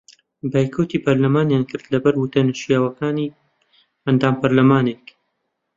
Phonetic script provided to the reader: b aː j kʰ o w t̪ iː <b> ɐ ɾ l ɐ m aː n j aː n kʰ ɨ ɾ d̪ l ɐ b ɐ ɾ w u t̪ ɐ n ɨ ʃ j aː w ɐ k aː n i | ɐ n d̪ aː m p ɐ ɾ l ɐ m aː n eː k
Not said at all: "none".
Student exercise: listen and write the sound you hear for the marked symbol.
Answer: p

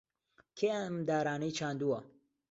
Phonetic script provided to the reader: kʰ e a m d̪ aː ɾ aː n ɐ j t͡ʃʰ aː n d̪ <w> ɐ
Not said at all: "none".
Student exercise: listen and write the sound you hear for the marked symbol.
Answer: u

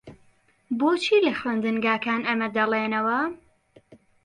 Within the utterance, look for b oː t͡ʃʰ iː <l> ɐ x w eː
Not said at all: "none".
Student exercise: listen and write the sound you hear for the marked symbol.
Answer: l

